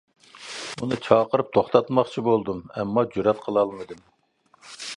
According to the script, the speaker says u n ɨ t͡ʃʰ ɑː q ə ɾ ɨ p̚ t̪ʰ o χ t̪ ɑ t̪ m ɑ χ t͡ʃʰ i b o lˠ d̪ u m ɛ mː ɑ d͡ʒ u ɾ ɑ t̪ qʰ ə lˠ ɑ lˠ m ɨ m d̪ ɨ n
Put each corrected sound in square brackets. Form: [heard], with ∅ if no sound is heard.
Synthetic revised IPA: u n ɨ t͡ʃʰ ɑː q ə ɾ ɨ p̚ t̪ʰ o χ t̪ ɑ t̪ m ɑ χ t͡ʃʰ i b o lˠ d̪ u m ɛ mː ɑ d͡ʒ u ɾ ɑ t̪ qʰ ə lˠ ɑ lˠ m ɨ [∅] d̪ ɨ [m]